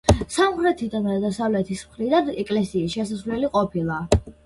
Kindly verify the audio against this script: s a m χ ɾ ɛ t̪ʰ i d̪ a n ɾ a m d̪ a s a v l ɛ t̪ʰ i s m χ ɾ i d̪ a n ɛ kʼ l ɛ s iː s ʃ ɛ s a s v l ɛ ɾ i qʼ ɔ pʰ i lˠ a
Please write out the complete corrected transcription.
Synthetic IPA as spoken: s a m χ ɾ ɛ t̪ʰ i d̪ a n ɾ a d̪ a s a v l ɛ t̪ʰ i s m χ ɾ i d̪ a n ɛ kʼ l ɛ s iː s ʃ ɛ s a s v l ɛ l i qʼ ɔ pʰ i lˠ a